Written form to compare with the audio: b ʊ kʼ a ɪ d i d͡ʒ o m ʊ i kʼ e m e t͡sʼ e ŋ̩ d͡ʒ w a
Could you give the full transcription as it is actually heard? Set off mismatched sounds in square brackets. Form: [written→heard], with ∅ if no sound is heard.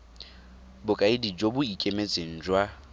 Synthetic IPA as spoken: b ʊ kʼ a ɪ d i d͡ʒ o [m→b] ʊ i kʼ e m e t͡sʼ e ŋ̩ d͡ʒ w a